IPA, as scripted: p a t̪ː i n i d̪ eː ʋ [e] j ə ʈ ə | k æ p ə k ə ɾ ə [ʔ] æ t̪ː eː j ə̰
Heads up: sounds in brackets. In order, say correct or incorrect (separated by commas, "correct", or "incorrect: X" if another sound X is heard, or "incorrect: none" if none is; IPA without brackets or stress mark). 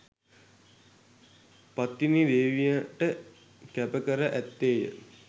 incorrect: i, correct